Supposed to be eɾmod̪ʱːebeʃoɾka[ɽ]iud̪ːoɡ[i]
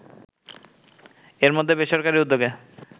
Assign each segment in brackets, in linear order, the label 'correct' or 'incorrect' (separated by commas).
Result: incorrect, incorrect